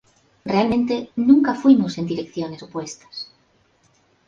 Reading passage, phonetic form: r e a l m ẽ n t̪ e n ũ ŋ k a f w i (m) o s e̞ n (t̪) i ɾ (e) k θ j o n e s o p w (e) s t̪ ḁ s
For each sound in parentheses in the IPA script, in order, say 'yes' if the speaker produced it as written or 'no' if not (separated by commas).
yes, no, yes, yes